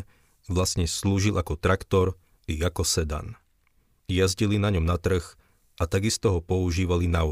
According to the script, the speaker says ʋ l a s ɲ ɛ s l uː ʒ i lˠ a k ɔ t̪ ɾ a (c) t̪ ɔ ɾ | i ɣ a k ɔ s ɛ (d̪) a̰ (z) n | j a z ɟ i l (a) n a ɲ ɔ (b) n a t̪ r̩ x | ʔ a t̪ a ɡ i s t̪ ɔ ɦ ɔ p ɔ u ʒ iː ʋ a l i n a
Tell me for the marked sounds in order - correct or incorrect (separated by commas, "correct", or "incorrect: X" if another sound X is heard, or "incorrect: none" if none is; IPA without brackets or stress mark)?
incorrect: k, correct, incorrect: none, incorrect: i, incorrect: m